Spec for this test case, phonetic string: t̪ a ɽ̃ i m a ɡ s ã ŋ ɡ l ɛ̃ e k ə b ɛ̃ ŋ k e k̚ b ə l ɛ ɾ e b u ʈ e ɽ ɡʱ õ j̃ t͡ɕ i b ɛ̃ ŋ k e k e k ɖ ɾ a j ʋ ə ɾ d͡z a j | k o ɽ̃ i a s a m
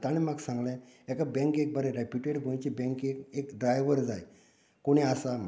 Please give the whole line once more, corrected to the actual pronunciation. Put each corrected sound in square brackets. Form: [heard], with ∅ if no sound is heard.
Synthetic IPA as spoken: t̪ a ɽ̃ i m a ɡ s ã ŋ ɡ l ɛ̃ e k [a] b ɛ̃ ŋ k e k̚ b ə [ɾ] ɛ ɾ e [p] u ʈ e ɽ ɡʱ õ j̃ t͡ɕ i b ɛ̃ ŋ k e k e k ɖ ɾ a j ʋ ə ɾ d͡z a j | k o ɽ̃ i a s a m